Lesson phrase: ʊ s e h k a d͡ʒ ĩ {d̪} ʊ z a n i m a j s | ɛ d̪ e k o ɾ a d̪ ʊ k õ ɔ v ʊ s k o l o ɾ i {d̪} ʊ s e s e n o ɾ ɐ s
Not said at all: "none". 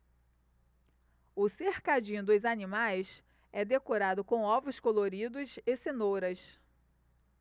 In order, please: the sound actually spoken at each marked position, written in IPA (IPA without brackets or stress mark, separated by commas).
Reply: d̪, d̪